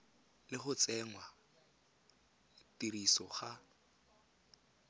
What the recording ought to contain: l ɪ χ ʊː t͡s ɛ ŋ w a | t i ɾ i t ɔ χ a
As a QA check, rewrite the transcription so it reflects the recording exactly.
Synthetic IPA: l ɪ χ ʊ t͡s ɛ ŋ w a | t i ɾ i s ɔ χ a

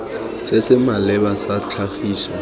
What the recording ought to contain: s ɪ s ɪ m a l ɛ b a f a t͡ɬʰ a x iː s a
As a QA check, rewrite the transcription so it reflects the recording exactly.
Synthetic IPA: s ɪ s ɪ m a l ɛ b a s a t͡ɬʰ a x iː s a

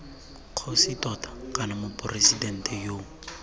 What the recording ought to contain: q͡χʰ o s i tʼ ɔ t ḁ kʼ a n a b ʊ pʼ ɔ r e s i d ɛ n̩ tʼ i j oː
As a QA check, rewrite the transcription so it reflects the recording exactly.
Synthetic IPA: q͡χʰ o s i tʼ ɔ t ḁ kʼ a n a m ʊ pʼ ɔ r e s i d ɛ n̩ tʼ ɛ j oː

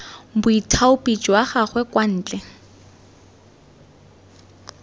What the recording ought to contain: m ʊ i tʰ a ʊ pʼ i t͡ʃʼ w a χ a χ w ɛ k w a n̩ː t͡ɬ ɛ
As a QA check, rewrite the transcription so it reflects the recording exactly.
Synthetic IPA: b ʊ i tʰ a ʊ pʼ i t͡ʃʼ w a χ a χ w ɛ k w a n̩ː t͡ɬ ɛ

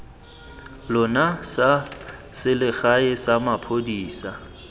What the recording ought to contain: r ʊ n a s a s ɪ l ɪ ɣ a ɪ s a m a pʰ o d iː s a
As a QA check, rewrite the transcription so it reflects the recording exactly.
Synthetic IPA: l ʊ n a s a s ɪ l ɪ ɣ a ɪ s a m a pʰ o d iː s a

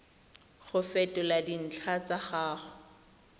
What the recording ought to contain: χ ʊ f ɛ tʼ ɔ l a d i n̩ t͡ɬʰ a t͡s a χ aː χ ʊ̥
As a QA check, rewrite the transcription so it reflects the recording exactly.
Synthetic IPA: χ ʊ f ɛ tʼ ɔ l a d i n̩ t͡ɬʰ a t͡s a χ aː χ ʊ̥

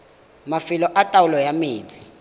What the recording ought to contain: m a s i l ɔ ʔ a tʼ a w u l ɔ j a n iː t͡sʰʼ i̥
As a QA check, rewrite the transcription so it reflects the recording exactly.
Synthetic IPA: m a f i l ɔ ʔ a tʼ a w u l ɔ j a m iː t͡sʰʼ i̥

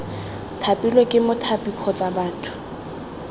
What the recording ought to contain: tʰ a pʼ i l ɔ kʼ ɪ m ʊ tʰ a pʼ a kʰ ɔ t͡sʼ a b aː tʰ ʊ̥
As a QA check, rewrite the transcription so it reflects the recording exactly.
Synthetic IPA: tʰ a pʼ i l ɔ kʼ ɪ m ʊ tʰ a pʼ i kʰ ɔ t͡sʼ a b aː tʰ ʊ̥

